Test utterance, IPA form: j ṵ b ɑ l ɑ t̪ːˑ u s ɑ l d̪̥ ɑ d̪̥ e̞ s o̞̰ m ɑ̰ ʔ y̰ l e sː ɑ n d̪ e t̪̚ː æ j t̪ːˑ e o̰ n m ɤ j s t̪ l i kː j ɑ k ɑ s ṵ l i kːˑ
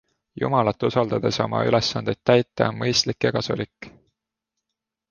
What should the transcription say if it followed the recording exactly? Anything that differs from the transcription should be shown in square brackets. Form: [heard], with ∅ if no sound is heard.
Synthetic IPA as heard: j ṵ [m] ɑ l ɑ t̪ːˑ u s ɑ l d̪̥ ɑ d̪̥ e̞ s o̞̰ m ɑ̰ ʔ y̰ l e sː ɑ n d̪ e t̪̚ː æ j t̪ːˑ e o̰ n m ɤ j s t̪ l i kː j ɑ k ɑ s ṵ l i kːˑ